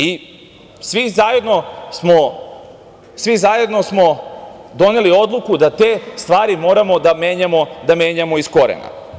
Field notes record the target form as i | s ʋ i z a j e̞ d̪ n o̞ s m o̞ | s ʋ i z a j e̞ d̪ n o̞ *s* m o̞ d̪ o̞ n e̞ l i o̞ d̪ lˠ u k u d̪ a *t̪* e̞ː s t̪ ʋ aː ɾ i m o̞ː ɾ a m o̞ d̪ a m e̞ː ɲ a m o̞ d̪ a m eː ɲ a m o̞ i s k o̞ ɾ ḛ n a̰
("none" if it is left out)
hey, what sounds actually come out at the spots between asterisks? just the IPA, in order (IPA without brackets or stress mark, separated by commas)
s, t̪